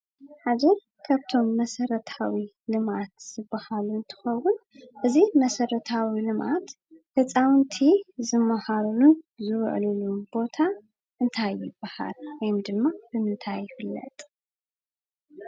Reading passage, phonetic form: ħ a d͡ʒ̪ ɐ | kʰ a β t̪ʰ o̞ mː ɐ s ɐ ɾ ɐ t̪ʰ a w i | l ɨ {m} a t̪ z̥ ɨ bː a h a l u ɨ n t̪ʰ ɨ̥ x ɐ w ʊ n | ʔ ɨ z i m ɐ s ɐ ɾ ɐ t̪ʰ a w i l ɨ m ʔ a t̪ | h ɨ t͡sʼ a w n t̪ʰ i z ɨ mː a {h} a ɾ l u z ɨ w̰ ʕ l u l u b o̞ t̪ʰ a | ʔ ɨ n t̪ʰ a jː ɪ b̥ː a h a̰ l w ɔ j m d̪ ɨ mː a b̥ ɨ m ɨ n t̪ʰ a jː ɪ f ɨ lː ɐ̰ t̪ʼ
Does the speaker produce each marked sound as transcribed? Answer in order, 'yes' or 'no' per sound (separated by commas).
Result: yes, yes